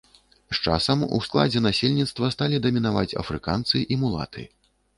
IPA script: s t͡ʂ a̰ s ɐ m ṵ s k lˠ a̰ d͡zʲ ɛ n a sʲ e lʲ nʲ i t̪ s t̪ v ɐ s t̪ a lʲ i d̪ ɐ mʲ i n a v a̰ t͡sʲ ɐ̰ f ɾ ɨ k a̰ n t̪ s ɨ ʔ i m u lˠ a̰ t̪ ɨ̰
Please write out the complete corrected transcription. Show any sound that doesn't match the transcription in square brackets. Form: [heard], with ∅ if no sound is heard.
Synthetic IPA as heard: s t͡ʂ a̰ s ɐ m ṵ s k lˠ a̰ d͡zʲ ɛ n a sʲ e lʲ nʲ i t̪ s t̪ v ɐ s t̪ a lʲ i d̪ ɐ mʲ i n a v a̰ t͡sʲ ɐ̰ f ɾ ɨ k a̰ n t̪ s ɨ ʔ i m u lˠ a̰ t̪ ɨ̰